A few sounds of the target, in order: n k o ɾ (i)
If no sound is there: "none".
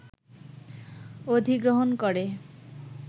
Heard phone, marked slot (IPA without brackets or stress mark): e